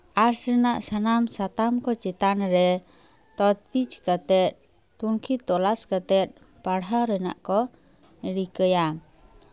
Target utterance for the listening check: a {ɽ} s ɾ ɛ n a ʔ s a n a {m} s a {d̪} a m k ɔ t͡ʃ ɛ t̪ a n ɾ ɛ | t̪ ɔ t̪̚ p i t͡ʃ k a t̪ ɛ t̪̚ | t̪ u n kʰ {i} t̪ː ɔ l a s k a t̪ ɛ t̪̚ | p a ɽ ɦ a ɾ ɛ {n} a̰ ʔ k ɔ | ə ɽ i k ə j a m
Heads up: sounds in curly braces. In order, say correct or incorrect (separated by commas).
incorrect, correct, incorrect, correct, correct